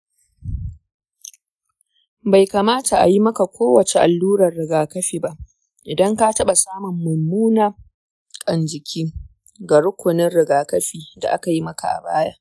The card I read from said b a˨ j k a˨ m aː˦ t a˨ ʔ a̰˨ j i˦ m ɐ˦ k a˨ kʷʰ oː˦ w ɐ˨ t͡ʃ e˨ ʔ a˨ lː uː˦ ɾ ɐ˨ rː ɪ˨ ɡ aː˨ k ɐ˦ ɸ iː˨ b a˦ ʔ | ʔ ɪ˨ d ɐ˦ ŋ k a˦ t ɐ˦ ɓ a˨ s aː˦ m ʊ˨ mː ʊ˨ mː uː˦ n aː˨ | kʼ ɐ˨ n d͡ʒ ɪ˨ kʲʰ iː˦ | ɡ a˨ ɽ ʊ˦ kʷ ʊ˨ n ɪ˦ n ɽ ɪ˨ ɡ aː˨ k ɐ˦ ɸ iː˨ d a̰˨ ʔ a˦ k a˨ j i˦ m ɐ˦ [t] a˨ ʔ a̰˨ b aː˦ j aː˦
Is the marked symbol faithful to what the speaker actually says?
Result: no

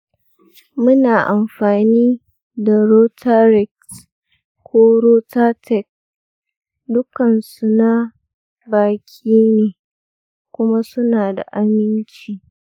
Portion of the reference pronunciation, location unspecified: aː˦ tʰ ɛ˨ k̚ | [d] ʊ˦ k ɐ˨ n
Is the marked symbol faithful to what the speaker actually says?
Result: yes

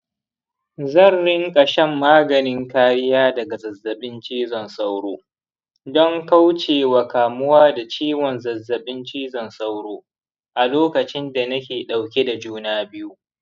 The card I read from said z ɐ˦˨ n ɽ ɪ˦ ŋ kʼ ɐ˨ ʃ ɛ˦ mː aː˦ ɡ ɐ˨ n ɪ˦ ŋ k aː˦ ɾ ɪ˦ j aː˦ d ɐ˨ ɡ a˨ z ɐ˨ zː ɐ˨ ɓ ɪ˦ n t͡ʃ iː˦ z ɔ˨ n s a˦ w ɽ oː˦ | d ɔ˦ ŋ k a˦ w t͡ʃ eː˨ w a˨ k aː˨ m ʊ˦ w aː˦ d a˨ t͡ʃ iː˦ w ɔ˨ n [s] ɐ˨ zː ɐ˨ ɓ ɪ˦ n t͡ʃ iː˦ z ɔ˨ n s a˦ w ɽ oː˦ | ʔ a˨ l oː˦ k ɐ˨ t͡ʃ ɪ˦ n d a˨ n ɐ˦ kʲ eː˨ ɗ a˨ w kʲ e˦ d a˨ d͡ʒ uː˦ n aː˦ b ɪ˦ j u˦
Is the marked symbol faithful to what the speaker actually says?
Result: no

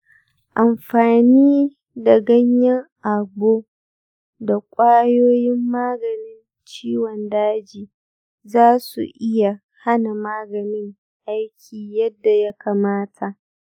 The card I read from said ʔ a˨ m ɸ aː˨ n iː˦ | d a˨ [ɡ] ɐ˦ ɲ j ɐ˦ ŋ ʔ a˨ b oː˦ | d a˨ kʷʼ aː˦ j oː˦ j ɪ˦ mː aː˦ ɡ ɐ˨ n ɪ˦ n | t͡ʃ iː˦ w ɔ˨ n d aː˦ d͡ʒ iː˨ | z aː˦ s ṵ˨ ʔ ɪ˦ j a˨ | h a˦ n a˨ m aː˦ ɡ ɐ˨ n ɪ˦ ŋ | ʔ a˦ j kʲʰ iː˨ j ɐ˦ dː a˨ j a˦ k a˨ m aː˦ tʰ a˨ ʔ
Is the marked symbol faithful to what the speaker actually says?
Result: yes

